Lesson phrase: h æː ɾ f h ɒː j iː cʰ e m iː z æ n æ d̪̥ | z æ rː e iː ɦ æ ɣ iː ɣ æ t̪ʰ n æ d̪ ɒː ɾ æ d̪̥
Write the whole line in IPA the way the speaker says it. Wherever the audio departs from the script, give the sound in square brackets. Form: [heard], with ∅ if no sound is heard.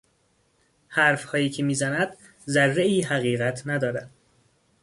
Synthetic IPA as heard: h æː ɾ f h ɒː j iː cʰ e m iː z æ n æ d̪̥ | z æ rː e iː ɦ æ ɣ iː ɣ æ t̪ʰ n æ d̪ ɒː ɾ æ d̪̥